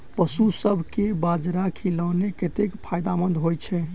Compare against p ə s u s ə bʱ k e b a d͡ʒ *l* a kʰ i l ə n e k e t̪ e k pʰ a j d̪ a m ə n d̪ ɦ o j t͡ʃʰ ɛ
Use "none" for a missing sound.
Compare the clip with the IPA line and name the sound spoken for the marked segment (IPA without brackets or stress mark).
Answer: ɾ